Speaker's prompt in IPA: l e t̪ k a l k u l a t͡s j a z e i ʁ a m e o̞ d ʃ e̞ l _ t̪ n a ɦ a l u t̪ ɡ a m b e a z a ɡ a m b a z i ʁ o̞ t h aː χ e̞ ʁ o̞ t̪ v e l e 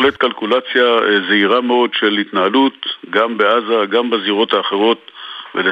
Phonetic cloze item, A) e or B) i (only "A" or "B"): B